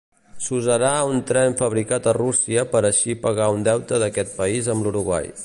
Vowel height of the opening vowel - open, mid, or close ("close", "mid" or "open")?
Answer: close